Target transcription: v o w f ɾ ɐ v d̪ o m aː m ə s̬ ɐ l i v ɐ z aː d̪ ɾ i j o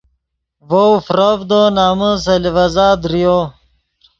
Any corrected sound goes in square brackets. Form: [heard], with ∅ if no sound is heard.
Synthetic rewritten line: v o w f ɾ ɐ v d̪ o [n] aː m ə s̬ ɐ l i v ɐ z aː d̪ ɾ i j o